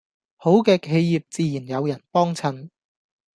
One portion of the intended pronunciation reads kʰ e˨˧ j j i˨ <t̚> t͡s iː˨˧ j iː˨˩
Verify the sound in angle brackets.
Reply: incorrect: p̚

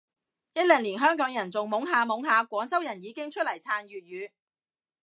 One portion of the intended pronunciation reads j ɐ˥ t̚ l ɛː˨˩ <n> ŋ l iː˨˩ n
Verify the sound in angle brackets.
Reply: incorrect: none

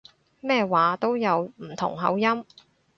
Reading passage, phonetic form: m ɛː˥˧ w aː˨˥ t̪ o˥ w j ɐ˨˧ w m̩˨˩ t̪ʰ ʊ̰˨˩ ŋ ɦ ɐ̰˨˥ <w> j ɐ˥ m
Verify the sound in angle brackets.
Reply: correct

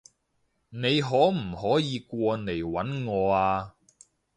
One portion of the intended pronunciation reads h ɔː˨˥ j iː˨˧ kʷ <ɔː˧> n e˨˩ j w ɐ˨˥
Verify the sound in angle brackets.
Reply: correct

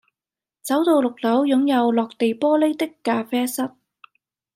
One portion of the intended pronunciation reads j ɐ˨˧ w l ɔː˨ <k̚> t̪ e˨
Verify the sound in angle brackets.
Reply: correct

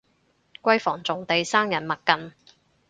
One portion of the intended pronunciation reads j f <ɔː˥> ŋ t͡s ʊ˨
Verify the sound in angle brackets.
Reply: incorrect: ɔː˨˩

